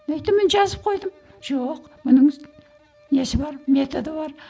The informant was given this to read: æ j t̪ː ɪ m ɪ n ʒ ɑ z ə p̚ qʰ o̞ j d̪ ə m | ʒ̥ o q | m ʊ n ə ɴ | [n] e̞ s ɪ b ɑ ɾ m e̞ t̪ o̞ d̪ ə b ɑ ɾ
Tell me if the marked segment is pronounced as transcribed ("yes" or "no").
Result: yes